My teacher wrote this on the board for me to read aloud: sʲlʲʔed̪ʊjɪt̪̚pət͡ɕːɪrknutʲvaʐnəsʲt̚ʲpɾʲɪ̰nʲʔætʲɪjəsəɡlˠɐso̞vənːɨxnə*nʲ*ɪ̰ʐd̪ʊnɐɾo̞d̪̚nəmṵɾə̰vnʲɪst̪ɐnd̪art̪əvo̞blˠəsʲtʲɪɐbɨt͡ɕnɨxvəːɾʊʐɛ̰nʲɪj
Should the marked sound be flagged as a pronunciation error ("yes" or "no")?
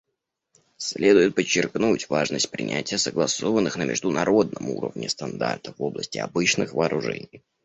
yes